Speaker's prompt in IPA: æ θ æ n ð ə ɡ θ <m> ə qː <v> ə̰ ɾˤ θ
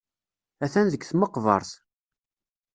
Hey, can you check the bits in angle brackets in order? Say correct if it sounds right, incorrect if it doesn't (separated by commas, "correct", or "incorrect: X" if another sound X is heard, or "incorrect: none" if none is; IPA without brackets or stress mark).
correct, correct